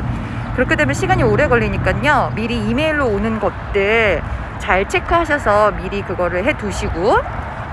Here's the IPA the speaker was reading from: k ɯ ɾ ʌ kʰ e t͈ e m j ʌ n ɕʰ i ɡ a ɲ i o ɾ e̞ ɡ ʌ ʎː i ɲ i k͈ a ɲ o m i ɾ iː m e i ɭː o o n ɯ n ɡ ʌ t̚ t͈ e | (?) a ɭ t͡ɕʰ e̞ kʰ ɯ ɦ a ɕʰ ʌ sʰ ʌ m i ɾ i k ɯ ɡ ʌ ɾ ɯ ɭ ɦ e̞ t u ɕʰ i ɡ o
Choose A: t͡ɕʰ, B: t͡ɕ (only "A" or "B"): B